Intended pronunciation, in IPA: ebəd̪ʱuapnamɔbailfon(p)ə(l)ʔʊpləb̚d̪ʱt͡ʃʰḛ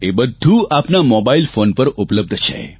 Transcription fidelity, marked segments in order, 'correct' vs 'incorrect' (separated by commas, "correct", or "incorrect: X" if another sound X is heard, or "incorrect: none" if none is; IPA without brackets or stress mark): correct, incorrect: ɾ